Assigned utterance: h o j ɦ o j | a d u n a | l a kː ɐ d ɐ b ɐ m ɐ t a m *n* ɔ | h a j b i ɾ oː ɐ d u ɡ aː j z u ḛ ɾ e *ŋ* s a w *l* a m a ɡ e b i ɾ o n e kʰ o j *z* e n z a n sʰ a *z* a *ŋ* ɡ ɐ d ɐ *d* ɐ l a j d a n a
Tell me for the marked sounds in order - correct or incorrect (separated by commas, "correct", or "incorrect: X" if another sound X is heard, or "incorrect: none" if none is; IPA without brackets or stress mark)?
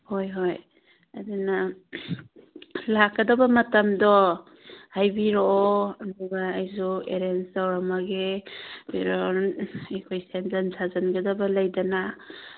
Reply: incorrect: d, incorrect: n, incorrect: ɾ, incorrect: s, correct, incorrect: n, incorrect: b